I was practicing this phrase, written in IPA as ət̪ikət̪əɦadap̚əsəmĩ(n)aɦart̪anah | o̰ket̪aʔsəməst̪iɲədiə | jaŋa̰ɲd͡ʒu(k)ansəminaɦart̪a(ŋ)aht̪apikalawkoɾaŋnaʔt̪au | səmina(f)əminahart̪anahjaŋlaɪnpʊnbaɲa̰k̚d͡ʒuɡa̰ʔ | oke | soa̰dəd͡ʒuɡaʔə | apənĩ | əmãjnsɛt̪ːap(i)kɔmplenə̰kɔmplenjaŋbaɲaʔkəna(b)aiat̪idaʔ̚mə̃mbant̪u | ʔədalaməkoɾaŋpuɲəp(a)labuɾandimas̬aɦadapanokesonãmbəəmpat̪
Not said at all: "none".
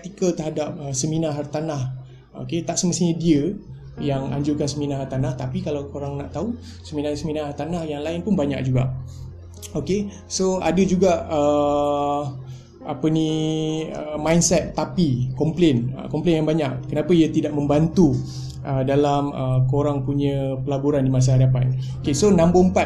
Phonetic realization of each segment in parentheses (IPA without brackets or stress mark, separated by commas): n, k, n, s, i, p, ə